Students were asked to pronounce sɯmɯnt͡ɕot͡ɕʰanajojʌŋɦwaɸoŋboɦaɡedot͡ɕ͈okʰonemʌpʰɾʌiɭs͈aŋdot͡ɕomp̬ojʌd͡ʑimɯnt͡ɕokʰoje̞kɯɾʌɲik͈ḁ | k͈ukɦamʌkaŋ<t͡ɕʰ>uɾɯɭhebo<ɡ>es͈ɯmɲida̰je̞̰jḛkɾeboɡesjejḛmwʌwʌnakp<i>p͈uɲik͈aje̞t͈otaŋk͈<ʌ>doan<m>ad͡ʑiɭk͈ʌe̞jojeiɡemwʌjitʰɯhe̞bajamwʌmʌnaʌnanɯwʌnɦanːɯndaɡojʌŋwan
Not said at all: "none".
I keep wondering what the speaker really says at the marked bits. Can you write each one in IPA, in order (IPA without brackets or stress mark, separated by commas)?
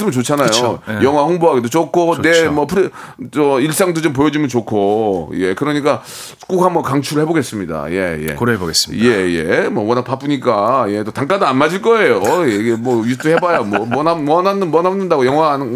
t͡ɕʰ, ɡ, a, a, m